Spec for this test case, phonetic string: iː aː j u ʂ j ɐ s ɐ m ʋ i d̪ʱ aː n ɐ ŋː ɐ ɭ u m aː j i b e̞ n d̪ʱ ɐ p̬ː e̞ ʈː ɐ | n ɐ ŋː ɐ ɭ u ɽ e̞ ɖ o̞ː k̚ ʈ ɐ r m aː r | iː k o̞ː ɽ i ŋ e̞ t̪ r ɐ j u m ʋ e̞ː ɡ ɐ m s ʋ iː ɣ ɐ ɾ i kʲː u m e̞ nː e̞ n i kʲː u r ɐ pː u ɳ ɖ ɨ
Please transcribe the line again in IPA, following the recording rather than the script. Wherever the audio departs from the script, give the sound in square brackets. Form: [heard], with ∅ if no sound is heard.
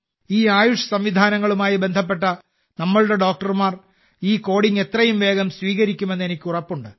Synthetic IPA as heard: iː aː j u ʂ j ɐ s ɐ m ʋ i d̪ʱ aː n ɐ ŋː ɐ ɭ u m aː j i b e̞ n d̪ʱ ɐ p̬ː e̞ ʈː ɐ | n ɐ [mː] ɐ ɭ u ɽ e̞ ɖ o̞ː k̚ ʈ ɐ r m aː r | iː k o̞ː ɽ i ŋ e̞ t̪ r ɐ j u m ʋ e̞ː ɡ ɐ m s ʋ iː ɣ ɐ ɾ i kʲː u m e̞ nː e̞ n i kʲː u r ɐ pː u ɳ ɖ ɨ